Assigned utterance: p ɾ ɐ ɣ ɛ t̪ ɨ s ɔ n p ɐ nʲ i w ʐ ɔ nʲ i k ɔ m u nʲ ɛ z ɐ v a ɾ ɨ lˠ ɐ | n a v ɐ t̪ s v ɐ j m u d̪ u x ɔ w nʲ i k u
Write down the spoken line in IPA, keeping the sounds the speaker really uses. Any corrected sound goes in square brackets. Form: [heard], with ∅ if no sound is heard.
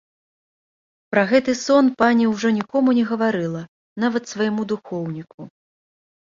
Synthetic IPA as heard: p ɾ ɐ ɣ ɛ t̪ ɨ s ɔ n p [a] nʲ i w ʐ ɔ nʲ i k ɔ m u nʲ ɛ [ɣ] ɐ v a ɾ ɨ lˠ ɐ | n a v ɐ t̪ s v ɐ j m u d̪ u x ɔ w nʲ i k u